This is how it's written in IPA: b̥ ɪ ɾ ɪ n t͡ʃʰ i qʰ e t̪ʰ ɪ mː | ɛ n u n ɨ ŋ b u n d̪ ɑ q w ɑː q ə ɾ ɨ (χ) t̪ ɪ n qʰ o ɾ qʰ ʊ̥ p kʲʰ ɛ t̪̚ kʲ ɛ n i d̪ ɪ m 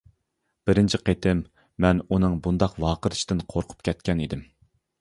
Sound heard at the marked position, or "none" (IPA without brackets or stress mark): ʃ